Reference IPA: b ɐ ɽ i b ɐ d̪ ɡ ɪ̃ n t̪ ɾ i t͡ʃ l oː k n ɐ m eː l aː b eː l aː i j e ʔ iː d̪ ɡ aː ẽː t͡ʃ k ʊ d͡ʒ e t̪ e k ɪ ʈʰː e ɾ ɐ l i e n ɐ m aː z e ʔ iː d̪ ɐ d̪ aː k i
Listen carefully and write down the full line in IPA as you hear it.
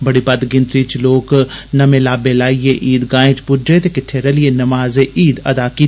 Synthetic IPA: b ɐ ɽ i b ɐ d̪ ɡ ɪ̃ n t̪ ɾ i t͡ʃ l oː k n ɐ m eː l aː b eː l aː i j e ʔ iː d̪ ɡ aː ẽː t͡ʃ p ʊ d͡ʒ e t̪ e k ɪ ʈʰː e ɾ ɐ l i e n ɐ m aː z e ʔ iː d̪ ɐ d̪ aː k i